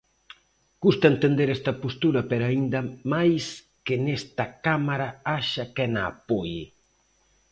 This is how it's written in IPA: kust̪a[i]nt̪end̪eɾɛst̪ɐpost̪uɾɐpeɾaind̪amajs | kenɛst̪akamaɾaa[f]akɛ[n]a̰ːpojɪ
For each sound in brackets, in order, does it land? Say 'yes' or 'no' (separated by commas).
no, no, yes